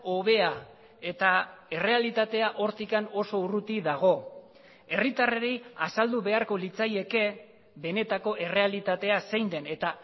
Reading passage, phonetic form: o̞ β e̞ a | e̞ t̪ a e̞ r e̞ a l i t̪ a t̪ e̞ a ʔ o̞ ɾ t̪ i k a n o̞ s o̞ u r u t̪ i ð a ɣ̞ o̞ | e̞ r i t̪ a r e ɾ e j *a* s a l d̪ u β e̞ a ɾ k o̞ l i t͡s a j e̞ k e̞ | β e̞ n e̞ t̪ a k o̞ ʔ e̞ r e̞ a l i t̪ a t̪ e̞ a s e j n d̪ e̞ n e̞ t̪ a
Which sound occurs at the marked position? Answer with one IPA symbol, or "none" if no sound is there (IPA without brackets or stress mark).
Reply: a